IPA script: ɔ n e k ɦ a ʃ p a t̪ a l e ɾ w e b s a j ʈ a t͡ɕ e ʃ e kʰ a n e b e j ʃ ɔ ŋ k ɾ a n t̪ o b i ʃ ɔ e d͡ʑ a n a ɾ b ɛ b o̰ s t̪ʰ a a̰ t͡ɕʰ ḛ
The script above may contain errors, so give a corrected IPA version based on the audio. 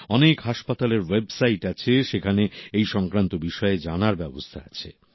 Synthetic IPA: ɔ n e k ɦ a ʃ p a t̪ a l e ɾ w e b s a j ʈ a t͡ɕʰ e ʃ e kʰ a n e e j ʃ ɔ ŋ k ɾ a n t̪ o b i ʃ ɔ e d͡ʑ a n a ɾ b ɛ b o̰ s t̪ʰ a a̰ t͡ɕʰ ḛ